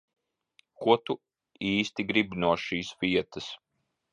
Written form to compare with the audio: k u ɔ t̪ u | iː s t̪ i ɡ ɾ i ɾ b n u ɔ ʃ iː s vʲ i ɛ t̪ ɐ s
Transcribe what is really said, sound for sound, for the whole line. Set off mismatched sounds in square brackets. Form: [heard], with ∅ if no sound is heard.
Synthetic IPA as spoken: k u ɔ t̪ u | iː s t̪ i ɡ ɾ i [∅] b n u ɔ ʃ iː s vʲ i ɛ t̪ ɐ s